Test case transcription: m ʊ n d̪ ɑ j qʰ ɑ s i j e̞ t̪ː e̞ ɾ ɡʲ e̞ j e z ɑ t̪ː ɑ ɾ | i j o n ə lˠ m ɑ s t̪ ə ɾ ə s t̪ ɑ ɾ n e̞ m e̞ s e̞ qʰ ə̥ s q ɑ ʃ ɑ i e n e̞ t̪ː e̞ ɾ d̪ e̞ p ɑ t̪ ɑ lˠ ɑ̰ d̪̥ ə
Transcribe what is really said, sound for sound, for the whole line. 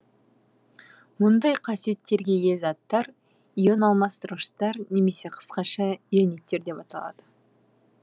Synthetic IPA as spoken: m ʊ n d̪ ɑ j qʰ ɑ s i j e̞ t̪ː e̞ ɾ ɡʲ e̞ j e z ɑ t̪ː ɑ ɾ | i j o n ɑ lˠ m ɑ s t̪ ə ɾ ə ʃ t̪ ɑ ɾ n e̞ m e̞ s e̞ qʰ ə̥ s q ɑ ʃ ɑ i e n e̞ t̪ː e̞ ɾ d̪ e̞ p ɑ t̪ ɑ lˠ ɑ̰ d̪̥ ə